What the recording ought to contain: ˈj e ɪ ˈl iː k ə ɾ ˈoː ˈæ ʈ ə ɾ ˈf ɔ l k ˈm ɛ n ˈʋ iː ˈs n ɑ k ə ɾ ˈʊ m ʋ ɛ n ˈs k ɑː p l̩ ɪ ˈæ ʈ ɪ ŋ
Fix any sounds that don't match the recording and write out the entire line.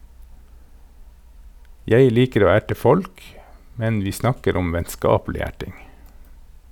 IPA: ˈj e ɪ ˈl iː k ə ɾ ˈoː ˈæ ʈ ə ˈf ɔ l k ˈm ɛ n ˈʋ iː ˈs n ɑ k ə ɾ ˈʊ m ʋ ɛ n ˈs k ɑː p l̩ ɪ ˈæ ʈ ɪ ŋ